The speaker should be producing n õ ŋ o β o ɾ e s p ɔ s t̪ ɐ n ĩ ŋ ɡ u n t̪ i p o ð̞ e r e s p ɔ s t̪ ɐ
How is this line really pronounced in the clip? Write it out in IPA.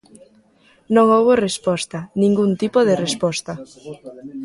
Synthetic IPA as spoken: n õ ŋ o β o r e s p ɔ s t̪ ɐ n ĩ ŋ ɡ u n t̪ i p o ð̞ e r e s p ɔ s t̪ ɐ